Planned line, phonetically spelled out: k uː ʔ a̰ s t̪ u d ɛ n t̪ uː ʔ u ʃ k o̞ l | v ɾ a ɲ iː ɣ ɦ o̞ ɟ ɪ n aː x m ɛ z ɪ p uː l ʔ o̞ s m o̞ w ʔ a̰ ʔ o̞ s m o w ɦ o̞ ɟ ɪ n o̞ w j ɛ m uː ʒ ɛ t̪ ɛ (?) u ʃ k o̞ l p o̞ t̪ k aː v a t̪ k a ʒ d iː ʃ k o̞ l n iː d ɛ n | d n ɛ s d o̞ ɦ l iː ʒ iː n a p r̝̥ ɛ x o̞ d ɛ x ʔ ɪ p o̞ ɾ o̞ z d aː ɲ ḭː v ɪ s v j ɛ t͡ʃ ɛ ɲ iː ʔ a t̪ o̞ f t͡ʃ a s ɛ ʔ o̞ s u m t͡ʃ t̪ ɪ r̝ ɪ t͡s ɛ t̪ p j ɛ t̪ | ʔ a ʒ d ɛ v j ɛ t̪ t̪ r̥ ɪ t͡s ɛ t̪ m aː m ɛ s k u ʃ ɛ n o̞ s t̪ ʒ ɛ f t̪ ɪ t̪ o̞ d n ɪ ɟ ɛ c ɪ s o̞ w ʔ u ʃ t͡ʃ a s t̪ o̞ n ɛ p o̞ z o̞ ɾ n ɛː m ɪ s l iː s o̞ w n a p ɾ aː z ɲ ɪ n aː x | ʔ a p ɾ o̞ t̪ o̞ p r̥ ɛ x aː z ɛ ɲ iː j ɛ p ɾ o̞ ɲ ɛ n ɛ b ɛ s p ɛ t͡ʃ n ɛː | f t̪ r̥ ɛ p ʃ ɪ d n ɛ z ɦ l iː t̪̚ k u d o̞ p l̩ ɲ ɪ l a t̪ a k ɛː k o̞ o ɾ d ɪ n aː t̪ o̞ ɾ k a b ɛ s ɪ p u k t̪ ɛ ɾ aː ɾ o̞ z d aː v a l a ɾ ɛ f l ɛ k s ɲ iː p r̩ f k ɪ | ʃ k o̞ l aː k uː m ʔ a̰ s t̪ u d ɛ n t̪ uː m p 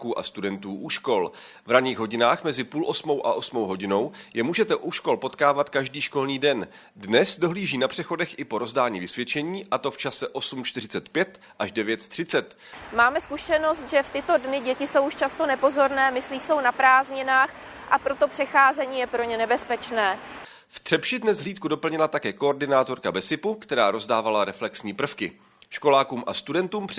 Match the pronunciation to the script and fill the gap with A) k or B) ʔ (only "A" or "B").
B